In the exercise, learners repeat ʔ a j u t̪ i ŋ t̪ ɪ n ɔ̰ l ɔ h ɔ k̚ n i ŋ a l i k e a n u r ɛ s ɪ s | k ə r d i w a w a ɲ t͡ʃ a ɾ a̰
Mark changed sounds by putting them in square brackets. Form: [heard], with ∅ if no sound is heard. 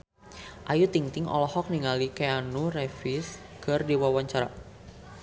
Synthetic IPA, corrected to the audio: ʔ a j u t̪ i ŋ t̪ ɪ [ŋ] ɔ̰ l ɔ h ɔ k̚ n i ŋ a l i k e a n u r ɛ [f] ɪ s | k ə r d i w a w a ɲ t͡ʃ a ɾ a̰

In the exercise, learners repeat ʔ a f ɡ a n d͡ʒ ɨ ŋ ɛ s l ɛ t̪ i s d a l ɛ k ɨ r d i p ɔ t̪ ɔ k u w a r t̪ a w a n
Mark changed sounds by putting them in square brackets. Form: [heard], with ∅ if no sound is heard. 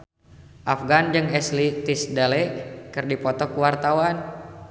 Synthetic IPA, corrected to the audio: ʔ a f ɡ a n d͡ʒ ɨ ŋ ɛ s l [i] t̪ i s d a l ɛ k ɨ r d i p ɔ t̪ ɔ k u w a r t̪ a w a n

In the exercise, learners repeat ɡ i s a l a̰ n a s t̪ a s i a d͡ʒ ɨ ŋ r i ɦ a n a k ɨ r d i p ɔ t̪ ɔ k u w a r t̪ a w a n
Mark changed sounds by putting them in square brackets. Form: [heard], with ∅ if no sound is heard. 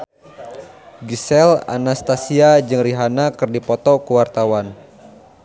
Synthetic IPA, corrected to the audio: ɡ i s [ɛ] l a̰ n a s t̪ a s i a d͡ʒ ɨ ŋ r i ɦ a n a k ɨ r d i p ɔ t̪ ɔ k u w a r t̪ a w a n

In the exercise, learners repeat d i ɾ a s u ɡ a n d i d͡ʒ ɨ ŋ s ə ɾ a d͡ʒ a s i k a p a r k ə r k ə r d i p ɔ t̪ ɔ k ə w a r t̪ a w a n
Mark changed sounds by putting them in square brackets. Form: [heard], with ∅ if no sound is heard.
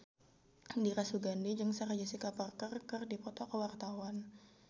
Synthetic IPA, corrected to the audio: d i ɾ a s u ɡ a n d i d͡ʒ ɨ ŋ s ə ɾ a d͡ʒ a s i k a p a r k ə r k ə r d i p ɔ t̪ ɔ k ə w a r t̪ a w a n

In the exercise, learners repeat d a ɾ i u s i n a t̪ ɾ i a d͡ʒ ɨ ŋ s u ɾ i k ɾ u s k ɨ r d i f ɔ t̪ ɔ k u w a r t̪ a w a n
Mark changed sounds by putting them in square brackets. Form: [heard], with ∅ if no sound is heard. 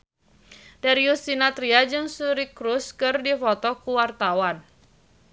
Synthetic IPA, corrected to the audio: d a ɾ i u s i n a t̪ ɾ i a d͡ʒ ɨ ŋ s u ɾ i k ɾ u s k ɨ r d i f ɔ t̪ ɔ k u w a r t̪ a w a n

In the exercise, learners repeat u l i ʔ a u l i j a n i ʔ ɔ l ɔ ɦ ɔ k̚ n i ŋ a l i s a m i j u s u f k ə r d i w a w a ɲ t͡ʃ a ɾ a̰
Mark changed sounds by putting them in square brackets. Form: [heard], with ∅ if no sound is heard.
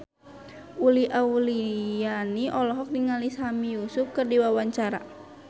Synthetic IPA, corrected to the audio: u l i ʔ a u l i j a n i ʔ ɔ l ɔ ɦ ɔ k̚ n i ŋ a l i s a m i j u s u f k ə r d i w a w a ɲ t͡ʃ a ɾ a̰

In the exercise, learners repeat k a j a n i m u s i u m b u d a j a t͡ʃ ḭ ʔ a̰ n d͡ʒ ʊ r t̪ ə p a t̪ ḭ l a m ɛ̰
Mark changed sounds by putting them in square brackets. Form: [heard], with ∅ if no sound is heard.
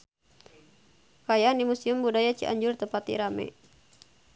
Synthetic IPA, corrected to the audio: k a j a n i m u s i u m b u d a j a t͡ʃ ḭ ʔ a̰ [ɲ] d͡ʒ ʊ r t̪ ə p a t̪ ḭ [ɾ] a m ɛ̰

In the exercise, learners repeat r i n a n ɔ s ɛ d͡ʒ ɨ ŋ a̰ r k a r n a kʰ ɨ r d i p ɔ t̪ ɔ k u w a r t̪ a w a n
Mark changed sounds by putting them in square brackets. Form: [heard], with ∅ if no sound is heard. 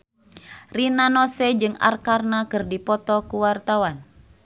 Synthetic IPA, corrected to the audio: r i n a n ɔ s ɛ d͡ʒ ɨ ŋ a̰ r k a r n a [k] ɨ r d i p ɔ t̪ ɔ k u w a r t̪ a w a n

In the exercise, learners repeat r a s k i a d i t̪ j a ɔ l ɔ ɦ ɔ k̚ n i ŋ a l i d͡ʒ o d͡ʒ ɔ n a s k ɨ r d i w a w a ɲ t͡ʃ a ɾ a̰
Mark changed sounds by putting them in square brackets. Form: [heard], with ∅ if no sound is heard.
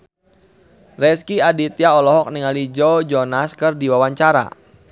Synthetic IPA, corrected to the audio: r [ɛ] s k i a d i t̪ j a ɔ l ɔ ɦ ɔ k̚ n i ŋ a l i d͡ʒ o d͡ʒ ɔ n a s k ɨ r d i w a w a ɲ t͡ʃ a ɾ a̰

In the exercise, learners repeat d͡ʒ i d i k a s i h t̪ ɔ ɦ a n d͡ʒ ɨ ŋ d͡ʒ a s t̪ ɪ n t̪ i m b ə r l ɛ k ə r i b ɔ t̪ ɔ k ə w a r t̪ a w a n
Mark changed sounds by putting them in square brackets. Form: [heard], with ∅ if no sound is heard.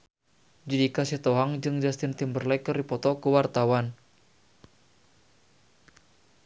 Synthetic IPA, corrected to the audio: d͡ʒ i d i k a s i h t̪ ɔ ɦ a [ŋ] d͡ʒ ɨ ŋ d͡ʒ a s t̪ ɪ n t̪ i m b ə r l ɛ k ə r i [p] ɔ t̪ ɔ k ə w a r t̪ a w a n

